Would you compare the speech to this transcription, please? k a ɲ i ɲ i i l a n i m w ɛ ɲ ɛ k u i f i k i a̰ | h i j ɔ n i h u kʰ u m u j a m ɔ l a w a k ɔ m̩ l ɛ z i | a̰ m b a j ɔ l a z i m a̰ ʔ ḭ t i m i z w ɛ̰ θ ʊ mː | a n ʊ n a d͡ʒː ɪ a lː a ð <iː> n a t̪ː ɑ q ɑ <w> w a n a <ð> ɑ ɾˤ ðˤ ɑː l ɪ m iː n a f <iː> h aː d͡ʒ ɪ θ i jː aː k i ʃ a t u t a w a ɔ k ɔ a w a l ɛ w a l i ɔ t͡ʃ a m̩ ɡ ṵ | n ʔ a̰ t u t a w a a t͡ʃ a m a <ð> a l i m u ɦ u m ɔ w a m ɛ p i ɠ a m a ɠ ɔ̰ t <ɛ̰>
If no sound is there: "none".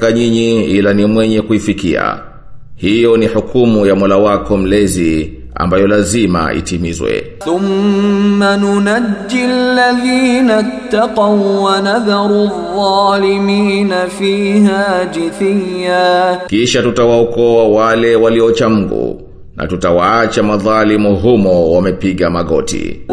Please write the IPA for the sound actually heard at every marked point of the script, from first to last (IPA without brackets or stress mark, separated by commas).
iː, w, ð, iː, ð, ḭ